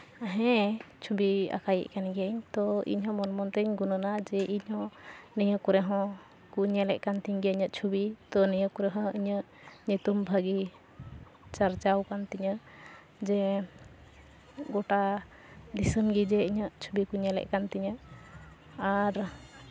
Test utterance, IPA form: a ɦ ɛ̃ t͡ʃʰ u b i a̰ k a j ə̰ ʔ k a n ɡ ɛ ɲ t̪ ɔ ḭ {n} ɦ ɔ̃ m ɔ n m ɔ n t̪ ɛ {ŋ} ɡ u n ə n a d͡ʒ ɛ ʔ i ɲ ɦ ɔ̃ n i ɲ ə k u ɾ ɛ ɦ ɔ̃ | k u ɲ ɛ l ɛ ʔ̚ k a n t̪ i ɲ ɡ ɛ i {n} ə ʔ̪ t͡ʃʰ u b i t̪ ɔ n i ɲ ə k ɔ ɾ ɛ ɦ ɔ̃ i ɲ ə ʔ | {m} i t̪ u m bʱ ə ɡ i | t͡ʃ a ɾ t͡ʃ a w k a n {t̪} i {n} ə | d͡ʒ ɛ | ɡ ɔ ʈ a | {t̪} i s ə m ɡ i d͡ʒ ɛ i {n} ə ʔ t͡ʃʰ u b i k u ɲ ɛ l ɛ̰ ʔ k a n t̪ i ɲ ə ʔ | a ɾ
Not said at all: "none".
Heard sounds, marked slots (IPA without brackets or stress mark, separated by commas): ɲ, ɲ, ɲ, ɲ, t̪, ɲ, d̪, ɲ